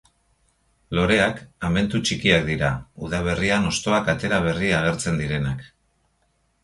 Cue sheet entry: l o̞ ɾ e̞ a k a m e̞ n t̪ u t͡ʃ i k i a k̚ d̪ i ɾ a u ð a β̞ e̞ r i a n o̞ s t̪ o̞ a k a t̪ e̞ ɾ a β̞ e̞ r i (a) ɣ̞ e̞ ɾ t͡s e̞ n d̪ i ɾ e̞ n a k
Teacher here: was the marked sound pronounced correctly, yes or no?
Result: yes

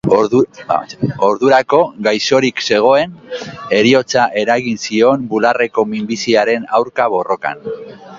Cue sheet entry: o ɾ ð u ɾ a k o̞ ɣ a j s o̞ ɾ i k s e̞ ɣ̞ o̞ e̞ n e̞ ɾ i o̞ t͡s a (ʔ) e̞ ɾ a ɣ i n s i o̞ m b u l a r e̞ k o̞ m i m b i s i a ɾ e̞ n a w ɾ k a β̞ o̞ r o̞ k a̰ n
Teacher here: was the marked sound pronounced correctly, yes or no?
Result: yes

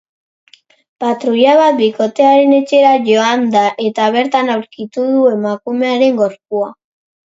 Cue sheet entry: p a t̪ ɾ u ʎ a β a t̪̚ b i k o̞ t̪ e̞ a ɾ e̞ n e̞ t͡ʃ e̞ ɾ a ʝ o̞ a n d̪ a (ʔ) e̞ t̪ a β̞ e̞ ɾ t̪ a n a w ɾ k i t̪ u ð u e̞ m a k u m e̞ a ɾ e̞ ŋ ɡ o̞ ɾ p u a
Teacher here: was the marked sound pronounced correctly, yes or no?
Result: yes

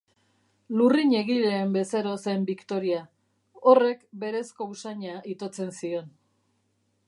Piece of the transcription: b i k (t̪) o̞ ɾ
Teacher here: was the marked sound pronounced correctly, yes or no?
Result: yes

